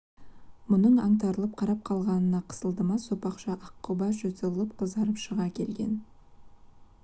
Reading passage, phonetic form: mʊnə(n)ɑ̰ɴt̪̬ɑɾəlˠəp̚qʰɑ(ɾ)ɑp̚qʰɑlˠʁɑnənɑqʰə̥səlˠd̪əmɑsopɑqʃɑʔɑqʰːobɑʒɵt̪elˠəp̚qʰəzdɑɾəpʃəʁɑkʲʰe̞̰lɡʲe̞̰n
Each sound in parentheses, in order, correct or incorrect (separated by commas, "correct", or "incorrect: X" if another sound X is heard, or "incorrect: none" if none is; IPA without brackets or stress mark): incorrect: ɴ, correct